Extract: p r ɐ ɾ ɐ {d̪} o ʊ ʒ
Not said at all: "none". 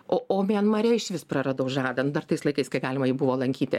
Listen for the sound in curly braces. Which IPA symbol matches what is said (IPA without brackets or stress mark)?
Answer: d̪